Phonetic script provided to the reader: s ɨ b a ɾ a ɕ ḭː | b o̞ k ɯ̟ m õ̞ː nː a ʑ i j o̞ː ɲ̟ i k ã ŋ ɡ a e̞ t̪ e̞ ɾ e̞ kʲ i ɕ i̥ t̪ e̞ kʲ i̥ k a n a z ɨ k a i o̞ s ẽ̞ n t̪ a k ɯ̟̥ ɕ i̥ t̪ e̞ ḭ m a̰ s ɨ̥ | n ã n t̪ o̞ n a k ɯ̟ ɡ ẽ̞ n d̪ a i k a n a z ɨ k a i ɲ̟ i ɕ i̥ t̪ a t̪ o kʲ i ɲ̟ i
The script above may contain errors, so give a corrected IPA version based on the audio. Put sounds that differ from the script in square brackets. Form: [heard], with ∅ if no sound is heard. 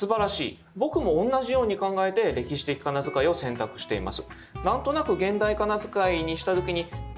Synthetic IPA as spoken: s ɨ b a ɾ a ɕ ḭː | b o̞ k ɯ̟ m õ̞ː nː a ʑ i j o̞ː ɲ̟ i k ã ŋ ɡ a e̞ t̪ e̞ ɾ e̞ kʲ i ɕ i̥ t̪ e̞ kʲ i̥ k a n a z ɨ k a i o̞ s ẽ̞ n t̪ a k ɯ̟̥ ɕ i̥ t̪ e̞ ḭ m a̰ s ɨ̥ | n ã n t̪ o̞ n a k ɯ̟ ɡ ẽ̞ n d̪ a i k a n a z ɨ k a i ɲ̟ i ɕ i̥ t̪ a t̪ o kʲ i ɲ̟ i